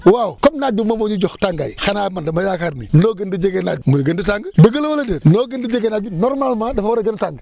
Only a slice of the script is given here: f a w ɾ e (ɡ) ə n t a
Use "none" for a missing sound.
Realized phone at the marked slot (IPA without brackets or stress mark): ɡ